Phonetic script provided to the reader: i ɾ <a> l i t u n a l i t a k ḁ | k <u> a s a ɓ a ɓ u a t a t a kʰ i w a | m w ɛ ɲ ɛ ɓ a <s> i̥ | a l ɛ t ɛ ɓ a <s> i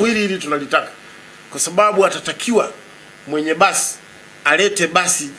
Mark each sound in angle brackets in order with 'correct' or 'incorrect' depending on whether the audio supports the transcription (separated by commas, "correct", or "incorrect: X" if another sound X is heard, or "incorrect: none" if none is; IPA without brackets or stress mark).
incorrect: i, incorrect: w, correct, correct